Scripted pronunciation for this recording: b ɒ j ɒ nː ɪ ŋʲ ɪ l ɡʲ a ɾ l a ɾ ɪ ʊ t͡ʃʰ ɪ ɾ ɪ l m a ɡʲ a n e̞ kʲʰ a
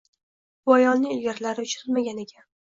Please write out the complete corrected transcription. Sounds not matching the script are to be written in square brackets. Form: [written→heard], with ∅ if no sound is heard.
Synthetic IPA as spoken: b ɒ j ɒ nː ɪ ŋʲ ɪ l ɡʲ a ɾ l a ɾ ɪ ʊ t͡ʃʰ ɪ ɾ ɪ l m a ɡʲ a n e̞ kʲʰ a